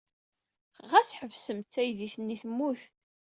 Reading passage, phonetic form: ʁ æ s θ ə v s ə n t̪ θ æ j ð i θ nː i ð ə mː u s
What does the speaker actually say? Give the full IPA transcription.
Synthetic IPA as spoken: ʁ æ s ħ ə v s ə m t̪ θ æ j ð i θ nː i θ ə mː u θ